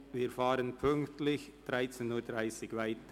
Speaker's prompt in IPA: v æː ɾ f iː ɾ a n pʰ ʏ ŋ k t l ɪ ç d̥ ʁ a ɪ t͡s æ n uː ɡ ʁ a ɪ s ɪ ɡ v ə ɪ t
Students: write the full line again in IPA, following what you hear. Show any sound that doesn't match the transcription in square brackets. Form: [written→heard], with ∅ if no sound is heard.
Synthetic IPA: v [æː→iː] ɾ f [iː→aː] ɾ [a→ə] n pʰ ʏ ŋ k t l ɪ ç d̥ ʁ a ɪ t͡s [æ→e] n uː [ɡ→d] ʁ a ɪ s ɪ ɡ v [ə→a] ɪ t